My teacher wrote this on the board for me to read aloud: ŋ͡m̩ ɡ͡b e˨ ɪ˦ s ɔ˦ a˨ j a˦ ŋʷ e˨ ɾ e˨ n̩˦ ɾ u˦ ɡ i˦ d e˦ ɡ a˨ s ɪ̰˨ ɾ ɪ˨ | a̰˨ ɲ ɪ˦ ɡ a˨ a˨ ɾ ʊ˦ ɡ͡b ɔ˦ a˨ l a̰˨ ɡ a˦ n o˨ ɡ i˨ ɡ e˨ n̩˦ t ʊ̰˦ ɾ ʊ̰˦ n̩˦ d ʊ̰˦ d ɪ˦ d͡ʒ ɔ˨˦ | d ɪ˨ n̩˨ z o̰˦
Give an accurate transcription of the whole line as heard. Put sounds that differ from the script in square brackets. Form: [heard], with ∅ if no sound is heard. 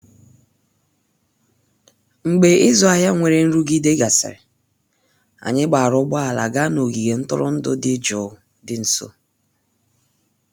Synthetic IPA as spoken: ŋ͡m̩ ɡ͡b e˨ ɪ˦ [z] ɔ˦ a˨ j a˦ ŋʷ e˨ ɾ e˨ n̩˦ ɾ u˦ ɡ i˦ d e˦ ɡ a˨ s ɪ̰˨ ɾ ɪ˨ | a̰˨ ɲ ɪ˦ [ɡ͡b] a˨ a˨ ɾ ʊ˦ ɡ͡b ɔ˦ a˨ l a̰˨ ɡ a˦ n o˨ ɡ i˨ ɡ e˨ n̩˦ t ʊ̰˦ ɾ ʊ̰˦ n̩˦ d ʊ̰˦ d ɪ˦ d͡ʒ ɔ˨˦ | d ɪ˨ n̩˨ [s] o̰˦